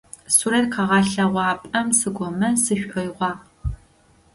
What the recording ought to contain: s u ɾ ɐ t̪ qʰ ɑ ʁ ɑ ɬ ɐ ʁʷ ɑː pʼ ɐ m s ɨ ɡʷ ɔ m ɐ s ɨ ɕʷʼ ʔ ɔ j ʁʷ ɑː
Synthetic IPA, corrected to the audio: s u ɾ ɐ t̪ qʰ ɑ ʁ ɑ ɬ ɐ ʁʷ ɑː pʼ ɐ m s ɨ ɡʷ ɔ m ɐ s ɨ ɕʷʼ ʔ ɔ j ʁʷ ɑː